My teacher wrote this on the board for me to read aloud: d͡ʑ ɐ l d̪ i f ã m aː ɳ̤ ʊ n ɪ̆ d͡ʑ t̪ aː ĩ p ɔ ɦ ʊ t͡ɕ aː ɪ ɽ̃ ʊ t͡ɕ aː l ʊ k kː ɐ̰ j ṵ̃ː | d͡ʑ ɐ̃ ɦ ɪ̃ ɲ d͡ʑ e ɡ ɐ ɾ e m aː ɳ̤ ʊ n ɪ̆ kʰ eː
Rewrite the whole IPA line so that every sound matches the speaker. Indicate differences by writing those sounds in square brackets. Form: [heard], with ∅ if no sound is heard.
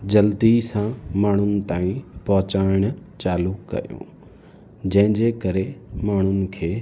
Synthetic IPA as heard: d͡ʑ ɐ l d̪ i [s] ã m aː ɳ̤ ʊ n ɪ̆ [∅] t̪ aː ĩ p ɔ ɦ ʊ t͡ɕ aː ɪ ɽ̃ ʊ t͡ɕ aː l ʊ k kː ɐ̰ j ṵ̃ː | d͡ʑ ɐ̃ ɦ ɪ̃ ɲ d͡ʑ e [k] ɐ ɾ e m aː ɳ̤ ʊ n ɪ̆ kʰ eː